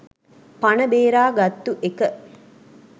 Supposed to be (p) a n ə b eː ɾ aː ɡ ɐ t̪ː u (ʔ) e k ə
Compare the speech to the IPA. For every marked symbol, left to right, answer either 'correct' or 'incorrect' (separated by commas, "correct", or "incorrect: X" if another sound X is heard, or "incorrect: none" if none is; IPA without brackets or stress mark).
correct, correct